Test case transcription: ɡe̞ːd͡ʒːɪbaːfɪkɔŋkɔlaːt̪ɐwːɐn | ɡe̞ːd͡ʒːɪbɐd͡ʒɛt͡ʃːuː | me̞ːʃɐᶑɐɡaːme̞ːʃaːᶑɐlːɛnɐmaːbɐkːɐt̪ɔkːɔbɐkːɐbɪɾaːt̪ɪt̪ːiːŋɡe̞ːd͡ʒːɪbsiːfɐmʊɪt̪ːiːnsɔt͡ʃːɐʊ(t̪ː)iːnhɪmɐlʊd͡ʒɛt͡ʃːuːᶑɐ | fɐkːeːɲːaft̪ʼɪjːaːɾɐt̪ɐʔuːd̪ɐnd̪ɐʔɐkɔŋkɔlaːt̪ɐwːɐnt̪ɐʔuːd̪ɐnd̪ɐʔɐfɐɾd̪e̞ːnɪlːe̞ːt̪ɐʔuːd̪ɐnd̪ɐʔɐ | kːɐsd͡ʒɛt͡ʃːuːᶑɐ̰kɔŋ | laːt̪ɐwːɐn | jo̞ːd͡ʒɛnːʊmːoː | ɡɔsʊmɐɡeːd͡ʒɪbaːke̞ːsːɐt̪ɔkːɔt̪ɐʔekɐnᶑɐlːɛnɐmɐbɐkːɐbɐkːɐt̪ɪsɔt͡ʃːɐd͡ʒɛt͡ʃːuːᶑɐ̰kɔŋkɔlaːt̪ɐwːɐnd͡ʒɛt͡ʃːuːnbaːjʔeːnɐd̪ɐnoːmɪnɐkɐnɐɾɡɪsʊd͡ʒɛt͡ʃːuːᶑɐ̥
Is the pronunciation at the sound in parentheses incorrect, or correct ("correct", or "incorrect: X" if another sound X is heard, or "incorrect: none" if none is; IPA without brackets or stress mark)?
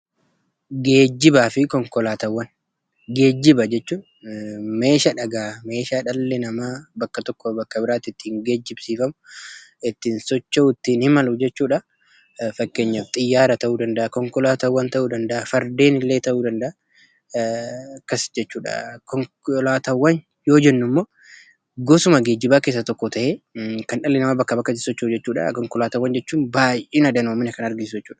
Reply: correct